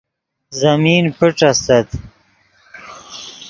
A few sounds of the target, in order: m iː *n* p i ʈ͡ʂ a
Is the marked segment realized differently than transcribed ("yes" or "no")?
no